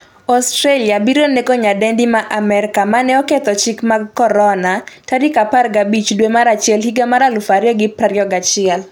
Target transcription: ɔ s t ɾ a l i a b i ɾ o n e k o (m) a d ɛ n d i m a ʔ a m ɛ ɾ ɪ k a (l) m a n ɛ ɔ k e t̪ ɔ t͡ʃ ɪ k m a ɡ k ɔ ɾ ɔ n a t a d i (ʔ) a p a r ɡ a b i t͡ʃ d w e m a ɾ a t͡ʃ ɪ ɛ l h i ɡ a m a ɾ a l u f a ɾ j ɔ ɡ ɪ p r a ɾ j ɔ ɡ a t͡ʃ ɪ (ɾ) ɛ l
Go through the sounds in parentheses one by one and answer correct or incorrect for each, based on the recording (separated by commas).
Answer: incorrect, incorrect, incorrect, incorrect